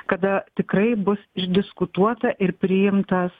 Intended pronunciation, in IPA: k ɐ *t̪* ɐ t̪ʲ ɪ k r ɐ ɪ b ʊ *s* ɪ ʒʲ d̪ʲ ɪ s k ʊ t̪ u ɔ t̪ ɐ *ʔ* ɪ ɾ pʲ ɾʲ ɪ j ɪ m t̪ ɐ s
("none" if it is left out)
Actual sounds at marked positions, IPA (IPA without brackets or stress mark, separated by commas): d̪, s, ʔ